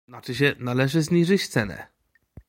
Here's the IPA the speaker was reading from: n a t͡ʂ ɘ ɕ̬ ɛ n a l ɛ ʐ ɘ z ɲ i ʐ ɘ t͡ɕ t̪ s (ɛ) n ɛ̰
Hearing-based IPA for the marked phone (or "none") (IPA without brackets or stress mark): ɛ